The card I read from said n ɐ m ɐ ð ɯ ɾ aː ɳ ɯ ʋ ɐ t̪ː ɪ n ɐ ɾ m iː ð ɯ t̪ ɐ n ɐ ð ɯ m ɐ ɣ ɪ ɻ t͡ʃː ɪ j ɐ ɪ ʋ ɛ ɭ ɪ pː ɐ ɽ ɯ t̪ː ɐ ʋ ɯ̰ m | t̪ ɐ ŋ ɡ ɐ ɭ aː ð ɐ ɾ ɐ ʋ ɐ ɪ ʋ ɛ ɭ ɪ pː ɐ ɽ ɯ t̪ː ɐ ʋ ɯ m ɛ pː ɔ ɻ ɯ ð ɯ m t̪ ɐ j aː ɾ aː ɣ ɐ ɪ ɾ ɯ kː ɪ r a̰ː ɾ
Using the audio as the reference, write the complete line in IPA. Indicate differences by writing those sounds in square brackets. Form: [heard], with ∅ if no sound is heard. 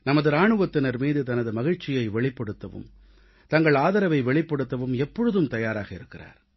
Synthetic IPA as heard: n ɐ m ɐ ð ɯ ɾ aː ɳ ɯ ʋ ɐ t̪ː ɪ n ɐ ɾ m iː ð ɯ t̪ ɐ n ɐ ð ɯ m ɐ ɣ ɪ ɻ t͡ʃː ɪ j ɐ ɪ ʋ ɛ ɭ ɪ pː ɐ ɽ ɯ t̪ː ɐ ʋ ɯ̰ m | t̪ ɐ ŋ ɡ ɐ ɭ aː ð ɐ ɾ ɐ ʋ ɐ ɪ ʋ ɛ ɭ ɪ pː ɐ ɽ ɯ t̪ː ɐ ʋ ɯ m ɛ pː ɔ ɻ ɯ ð ɯ m t̪ ɐ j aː ɾ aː ɣ ɐ ɪ ɾ ɯ kː ɪ r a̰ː ɾ

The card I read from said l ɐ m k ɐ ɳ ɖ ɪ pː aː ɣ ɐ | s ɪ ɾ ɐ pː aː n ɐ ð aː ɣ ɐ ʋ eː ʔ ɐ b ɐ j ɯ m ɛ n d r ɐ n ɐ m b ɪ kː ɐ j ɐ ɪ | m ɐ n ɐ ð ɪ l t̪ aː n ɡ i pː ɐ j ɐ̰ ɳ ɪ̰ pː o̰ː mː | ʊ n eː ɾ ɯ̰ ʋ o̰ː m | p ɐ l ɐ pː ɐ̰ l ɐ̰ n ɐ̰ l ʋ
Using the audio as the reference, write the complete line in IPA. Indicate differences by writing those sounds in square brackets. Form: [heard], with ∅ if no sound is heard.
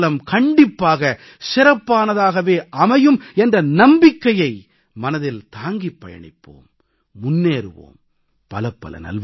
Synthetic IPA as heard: l ɐ m k ɐ ɳ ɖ ɪ pː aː ɣ ɐ | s ɪ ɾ ɐ pː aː n ɐ ð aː ɣ ɐ ʋ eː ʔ ɐ [m] ɐ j ɯ m ɛ n d r ɐ n ɐ m b ɪ kː ɐ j ɐ ɪ | m ɐ n ɐ ð ɪ l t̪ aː [ŋ] ɡ i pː ɐ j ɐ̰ ɳ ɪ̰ pː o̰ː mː | ʊ [nː] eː ɾ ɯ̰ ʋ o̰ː m | p ɐ l ɐ pː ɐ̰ l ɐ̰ n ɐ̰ l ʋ

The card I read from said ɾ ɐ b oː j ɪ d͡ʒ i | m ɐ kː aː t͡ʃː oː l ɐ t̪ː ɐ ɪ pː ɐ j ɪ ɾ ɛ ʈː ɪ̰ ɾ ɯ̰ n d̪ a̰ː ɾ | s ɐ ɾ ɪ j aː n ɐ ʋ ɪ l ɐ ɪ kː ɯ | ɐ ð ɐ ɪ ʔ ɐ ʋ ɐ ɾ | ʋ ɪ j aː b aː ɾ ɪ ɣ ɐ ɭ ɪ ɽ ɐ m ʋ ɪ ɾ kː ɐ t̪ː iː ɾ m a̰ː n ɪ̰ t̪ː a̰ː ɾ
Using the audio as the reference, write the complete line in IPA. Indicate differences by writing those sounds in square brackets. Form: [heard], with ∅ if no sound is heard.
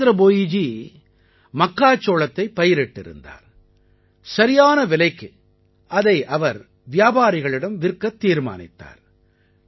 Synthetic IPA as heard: ɾ ɐ b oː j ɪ d͡ʒ i | m ɐ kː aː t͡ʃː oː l ɐ t̪ː ɐ ɪ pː ɐ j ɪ ɾ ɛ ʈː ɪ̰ ɾ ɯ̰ n d̪ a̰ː ɾ | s ɐ ɾ ɪ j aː n ɐ ʋ ɪ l ɐ ɪ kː ɯ | ɐ ð ɐ ɪ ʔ ɐ ʋ ɐ ɾ | ʋ ɪ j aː b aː ɾ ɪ ɣ ɐ ɭ ɪ ɽ ɐ m ʋ ɪ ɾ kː ɐ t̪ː iː ɾ m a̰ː n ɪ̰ t̪ː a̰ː ɾ

